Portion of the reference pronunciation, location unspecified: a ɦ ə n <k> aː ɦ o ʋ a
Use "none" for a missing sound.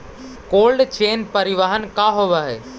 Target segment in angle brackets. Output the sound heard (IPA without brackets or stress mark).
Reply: k